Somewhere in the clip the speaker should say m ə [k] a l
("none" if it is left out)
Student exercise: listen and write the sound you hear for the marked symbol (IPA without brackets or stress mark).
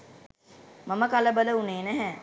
k